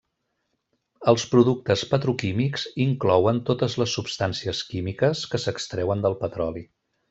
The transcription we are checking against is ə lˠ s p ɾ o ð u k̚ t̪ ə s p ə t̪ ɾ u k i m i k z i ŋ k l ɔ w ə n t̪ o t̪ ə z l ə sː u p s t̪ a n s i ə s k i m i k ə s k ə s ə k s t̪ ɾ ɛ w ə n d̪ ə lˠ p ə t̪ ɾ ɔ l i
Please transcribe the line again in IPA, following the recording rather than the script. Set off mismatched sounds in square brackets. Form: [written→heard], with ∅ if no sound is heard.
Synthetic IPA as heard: ə lˠ s p ɾ [o→u] ð u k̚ t̪ ə s p ə t̪ ɾ u k i m i k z i ŋ k l ɔ w ə n t̪ o t̪ ə z l ə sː u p s t̪ a n s i ə s k i m i k ə s k ə s ə k s t̪ ɾ ɛ w ə n d̪ ə lˠ p ə t̪ ɾ ɔ l i